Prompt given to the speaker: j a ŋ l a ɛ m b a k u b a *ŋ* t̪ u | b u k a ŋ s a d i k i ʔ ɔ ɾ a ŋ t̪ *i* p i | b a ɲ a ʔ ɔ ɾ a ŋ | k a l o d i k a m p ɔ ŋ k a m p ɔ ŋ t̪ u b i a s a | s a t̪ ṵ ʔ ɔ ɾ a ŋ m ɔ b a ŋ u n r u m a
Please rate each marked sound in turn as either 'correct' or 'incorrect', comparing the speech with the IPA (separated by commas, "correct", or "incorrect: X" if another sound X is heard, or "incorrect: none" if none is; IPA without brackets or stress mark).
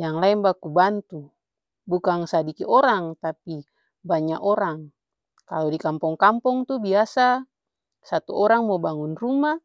incorrect: n, incorrect: a